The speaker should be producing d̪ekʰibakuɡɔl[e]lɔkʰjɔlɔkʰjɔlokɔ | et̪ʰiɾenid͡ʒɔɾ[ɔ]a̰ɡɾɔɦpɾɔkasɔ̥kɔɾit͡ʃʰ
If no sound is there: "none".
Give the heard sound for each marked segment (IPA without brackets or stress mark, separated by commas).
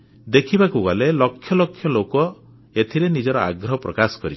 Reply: e, ɔ